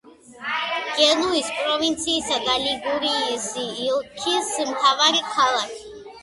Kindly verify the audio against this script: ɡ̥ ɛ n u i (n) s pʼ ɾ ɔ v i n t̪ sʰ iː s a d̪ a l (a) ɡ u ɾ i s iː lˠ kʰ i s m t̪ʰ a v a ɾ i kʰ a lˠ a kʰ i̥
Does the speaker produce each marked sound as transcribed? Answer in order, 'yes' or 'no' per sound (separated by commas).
no, no